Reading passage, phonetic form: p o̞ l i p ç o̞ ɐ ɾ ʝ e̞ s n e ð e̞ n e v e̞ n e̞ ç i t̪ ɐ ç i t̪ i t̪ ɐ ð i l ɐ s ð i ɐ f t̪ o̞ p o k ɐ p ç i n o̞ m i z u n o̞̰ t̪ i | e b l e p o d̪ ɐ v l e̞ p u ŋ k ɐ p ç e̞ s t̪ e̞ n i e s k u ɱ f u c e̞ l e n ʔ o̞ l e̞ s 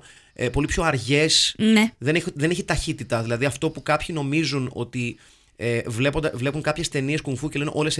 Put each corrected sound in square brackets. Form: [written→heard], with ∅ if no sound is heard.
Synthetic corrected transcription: p o̞ l i p ç o̞ ɐ ɾ ʝ e̞ s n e ð e̞ n e [v→ð] e̞ n e̞ ç i t̪ ɐ ç i t̪ i t̪ ɐ ð i l ɐ [s→∅] ð i ɐ f t̪ o̞ p [o→u] k ɐ p ç i n o̞ m i z u n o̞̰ t̪ i | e [b→v] l e p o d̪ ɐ v l e̞ p u ŋ k ɐ p ç e̞ s t̪ e̞ n i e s k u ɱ f u c e̞ l e n ʔ o̞ l e̞ s